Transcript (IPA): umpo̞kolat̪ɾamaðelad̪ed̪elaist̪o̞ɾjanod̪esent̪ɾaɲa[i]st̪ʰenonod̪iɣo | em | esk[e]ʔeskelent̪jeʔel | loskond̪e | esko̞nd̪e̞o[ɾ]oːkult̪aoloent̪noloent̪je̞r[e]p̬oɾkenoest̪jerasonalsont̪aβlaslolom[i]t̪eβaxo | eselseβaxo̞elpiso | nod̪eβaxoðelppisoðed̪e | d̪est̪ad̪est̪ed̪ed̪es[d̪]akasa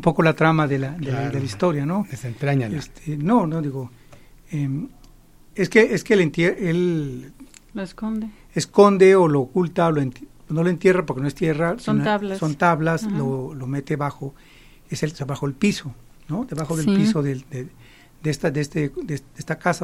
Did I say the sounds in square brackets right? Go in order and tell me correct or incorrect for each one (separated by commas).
incorrect, correct, incorrect, incorrect, incorrect, incorrect